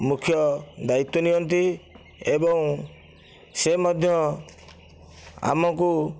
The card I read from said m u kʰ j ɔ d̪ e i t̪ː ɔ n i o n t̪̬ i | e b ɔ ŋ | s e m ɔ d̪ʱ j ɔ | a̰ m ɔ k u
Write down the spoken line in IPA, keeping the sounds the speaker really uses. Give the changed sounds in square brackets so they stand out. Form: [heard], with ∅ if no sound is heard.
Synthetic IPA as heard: m u kʰ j ɔ d̪ [a] i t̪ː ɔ n i [ɔ] n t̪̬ i | e b ɔ ŋ | s e m ɔ d̪ʱ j ɔ | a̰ m ɔ k u